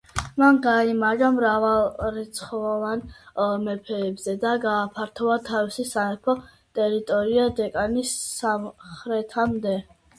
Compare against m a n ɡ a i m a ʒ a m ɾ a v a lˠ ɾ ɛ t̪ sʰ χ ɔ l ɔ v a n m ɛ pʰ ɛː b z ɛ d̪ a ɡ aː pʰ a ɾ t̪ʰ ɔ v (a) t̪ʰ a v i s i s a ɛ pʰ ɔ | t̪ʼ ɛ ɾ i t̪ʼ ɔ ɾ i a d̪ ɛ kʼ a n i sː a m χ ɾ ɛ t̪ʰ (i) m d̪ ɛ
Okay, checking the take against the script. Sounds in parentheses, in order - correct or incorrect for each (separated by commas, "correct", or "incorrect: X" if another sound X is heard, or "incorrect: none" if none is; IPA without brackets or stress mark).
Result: correct, incorrect: a